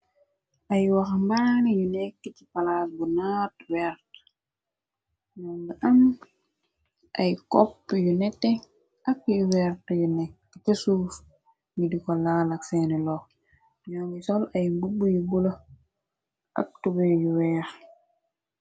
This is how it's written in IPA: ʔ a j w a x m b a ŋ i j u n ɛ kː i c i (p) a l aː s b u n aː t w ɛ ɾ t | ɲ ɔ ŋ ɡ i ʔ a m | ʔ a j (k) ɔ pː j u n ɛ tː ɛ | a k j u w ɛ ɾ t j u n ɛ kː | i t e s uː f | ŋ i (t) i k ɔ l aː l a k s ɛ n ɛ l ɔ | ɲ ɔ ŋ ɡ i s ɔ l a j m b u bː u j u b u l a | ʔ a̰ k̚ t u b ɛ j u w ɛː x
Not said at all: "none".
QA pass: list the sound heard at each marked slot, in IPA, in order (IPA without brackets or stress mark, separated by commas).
p, k, d